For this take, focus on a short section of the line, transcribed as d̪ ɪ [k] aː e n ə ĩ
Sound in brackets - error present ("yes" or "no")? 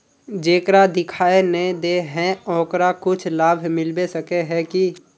yes